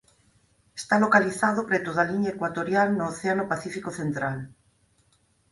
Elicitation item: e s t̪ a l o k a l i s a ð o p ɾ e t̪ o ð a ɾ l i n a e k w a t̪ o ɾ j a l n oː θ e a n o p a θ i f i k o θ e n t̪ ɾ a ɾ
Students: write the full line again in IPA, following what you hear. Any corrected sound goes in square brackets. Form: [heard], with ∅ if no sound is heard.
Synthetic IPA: e s t̪ a l o k a l i [θ] a ð o p ɾ e t̪ o ð a [∅] l i [ɲ] a e k w a t̪ o ɾ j a l n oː θ e a n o p a θ i f i k o θ e n t̪ ɾ a [l]